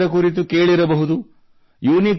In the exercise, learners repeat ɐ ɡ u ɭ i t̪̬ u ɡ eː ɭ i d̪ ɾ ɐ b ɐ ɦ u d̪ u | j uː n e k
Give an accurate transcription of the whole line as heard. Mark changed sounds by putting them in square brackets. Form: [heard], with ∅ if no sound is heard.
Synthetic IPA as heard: ɐ [k] u [ɾ] i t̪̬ u [k] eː ɭ i [∅] ɾ ɐ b ɐ ɦ u d̪ u | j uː n [i] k

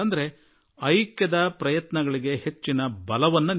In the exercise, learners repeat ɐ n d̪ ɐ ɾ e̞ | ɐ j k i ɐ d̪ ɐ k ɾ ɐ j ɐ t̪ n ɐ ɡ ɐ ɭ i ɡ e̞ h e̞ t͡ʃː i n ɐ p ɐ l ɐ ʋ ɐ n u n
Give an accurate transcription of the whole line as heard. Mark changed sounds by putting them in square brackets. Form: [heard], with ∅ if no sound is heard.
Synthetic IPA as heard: ɐ n d̪ ɐ ɾ e̞ | ɐ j k [j] ɐ d̪ ɐ [p] ɾ ɐ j ɐ t̪ n ɐ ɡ ɐ ɭ i ɡ e̞ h e̞ t͡ʃː i n ɐ [b] ɐ l ɐ ʋ ɐ [nː] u n

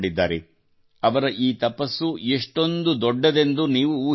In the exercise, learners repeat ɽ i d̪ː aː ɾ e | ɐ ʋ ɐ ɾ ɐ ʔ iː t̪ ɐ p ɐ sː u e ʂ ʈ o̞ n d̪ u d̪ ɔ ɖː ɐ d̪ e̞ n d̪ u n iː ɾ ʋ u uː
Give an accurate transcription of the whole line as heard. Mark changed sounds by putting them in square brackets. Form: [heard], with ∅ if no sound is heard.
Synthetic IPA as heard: ɽ i d̪ː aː ɾ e | ɐ ʋ ɐ ɾ ɐ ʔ iː t̪ ɐ p ɐ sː u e ʂ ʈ o̞ n d̪ u d̪ ɔ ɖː ɐ d̪ e̞ n d̪ u n iː [∅] ʋ u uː

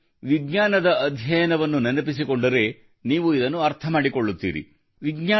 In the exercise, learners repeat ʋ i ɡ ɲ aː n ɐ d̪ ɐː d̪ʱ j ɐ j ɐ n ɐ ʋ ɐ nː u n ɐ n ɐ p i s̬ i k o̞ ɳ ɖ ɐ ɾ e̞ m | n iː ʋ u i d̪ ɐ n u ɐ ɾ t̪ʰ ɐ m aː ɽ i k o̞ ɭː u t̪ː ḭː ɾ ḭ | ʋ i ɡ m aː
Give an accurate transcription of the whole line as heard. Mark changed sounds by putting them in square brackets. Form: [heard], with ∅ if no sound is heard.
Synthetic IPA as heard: ʋ i ɡ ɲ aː n ɐ d̪ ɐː d̪ʱ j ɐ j ɐ n ɐ ʋ ɐ nː u n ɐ n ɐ p i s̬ i k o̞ ɳ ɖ ɐ ɾ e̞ [∅] | n iː ʋ u i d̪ ɐ [nː] u ɐ ɾ t̪ʰ ɐ m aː ɽ i k o̞ ɭː u t̪ː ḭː ɾ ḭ | ʋ i ɡ [ɲ] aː

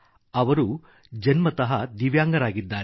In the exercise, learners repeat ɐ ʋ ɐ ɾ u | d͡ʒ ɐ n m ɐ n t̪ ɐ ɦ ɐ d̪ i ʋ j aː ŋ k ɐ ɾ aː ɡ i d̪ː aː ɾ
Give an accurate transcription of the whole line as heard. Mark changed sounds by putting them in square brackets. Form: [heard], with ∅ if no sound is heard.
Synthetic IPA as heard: ɐ ʋ ɐ ɾ u | d͡ʒ ɐ n m ɐ [∅] t̪ ɐ ɦ ɐ d̪ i ʋ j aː ŋ [ɡ] ɐ ɾ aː ɡ i d̪ː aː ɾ

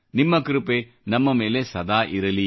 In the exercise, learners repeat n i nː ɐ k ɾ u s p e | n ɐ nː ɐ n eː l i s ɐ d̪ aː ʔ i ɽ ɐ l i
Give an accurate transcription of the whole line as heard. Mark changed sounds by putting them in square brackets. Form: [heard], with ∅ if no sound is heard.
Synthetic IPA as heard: n i [mː] ɐ k ɾ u [∅] p e | n ɐ [mː] ɐ [m] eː l [e] s ɐ d̪ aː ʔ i [ɾ] ɐ l i

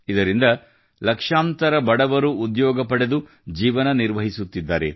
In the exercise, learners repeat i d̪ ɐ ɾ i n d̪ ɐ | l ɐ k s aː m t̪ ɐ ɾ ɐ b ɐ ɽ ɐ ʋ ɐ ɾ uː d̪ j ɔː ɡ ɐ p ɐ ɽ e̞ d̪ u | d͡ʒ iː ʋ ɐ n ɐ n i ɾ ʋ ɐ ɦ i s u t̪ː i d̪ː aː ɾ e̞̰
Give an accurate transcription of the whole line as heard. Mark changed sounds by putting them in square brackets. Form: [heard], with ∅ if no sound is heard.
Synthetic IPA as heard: i d̪ ɐ ɾ i n d̪ ɐ | l ɐ k [ʂ] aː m t̪ ɐ ɾ ɐ b ɐ ɽ ɐ ʋ ɐ ɾ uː d̪ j ɔː ɡ ɐ p ɐ ɽ e̞ d̪ u | d͡ʒ iː ʋ ɐ n ɐ n i ɾ ʋ ɐ ɦ i s u t̪ː i d̪ː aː ɾ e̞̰

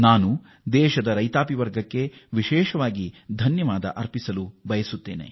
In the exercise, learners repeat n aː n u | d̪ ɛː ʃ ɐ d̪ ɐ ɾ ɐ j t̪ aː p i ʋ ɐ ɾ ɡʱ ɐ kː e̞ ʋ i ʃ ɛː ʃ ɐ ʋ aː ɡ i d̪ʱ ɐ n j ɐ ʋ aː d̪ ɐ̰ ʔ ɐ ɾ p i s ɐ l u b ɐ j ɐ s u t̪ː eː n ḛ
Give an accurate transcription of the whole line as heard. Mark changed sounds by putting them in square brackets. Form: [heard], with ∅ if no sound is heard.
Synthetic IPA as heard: n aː n u | d̪ ɛː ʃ ɐ d̪ ɐ ɾ ɐ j t̪ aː p i ʋ ɐ ɾ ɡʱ ɐ kː e̞ ʋ i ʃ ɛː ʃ ɐ ʋ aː ɡ i d̪ʱ ɐ n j ɐ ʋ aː d̪ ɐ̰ ʔ ɐ ɾ p i s ɐ l u b ɐ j ɐ s u t̪ː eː n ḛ

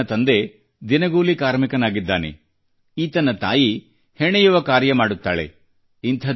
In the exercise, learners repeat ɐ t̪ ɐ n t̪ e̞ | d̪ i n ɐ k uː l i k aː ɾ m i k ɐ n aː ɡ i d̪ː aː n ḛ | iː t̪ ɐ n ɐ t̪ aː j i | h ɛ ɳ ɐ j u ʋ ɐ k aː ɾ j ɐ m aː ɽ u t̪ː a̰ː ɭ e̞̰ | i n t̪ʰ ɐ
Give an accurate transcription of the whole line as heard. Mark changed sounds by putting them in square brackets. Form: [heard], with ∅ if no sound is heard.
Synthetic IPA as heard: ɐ t̪ ɐ n [d̪] e̞ | d̪ i n ɐ [ɡ] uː l i k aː ɾ m i k ɐ n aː ɡ i d̪ː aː n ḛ | iː t̪ ɐ n ɐ t̪ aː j i | h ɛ ɳ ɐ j u ʋ ɐ k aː ɾ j ɐ m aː ɽ u t̪ː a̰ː ɭ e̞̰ | i n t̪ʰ ɐ

